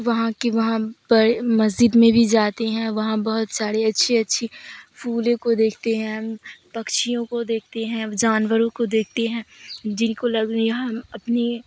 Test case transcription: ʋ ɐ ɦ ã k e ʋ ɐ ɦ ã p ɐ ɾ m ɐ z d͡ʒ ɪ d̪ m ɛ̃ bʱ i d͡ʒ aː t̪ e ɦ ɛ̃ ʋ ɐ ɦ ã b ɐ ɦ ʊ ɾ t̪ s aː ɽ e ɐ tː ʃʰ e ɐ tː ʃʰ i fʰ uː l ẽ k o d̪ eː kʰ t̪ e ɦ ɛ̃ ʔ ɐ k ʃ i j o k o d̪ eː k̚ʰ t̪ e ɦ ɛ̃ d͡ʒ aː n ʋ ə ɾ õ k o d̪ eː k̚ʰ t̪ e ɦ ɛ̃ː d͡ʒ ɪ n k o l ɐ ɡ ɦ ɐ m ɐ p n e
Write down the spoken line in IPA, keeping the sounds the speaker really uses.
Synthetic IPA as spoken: ʋ ɐ ɦ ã k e ʋ ɐ ɦ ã p ɐ ɾ m ɐ z d͡ʒ ɪ d̪ m ẽ bʱ i d͡ʒ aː t̪ e ɦ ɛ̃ ʋ ɐ ɦ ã b ɐ ɦ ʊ t̪ s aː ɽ e ɐ tː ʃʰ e ɐ tː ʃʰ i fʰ uː l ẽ k o d̪ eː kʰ t̪ e ɦ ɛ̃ p ɐ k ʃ i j õ k o d̪ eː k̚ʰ t̪ e ɦ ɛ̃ d͡ʒ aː n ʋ ə ɾ õ k o d̪ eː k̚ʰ t̪ e ɦ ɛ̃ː d͡ʒ ɪ n k o l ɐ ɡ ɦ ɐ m ɐ p n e